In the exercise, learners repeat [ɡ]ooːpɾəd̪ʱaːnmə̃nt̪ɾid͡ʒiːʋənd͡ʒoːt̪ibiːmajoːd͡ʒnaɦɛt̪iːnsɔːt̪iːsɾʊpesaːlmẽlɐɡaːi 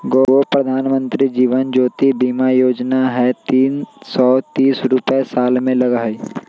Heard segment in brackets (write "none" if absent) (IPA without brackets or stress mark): ɡ